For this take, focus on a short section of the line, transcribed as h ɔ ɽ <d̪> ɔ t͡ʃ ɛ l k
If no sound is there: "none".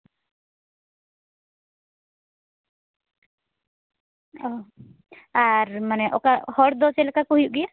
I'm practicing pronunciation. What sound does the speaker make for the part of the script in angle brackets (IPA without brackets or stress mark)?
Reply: d̪